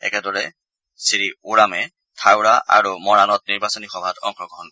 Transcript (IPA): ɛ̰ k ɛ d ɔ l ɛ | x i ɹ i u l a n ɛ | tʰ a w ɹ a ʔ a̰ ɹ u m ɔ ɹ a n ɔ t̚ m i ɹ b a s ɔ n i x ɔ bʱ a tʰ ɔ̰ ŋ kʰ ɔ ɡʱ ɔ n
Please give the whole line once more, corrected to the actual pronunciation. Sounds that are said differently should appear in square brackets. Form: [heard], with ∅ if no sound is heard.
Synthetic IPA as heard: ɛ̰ k ɛ d ɔ [ɹ] ɛ | [s] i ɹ i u [ɹ] a [m] ɛ | tʰ a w ɹ a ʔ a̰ ɹ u m ɔ ɹ a n ɔ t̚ [n] i ɹ b a s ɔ n i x ɔ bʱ a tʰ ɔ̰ ŋ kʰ ɔ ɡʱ ɔ n